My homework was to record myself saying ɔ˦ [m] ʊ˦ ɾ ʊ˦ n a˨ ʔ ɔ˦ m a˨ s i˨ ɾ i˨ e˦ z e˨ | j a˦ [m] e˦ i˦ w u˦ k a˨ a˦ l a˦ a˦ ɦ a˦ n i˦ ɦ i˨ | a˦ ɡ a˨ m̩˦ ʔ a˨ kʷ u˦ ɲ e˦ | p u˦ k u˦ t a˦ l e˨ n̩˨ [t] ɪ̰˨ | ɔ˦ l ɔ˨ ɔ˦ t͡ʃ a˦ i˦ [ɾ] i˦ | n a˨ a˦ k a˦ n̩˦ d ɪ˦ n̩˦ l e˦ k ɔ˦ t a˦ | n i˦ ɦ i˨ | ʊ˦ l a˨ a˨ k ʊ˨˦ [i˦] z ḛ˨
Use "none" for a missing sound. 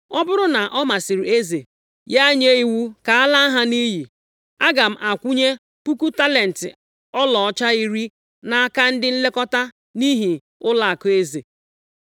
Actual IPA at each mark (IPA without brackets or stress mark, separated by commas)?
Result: b, ɲ, t, ɾ, e˦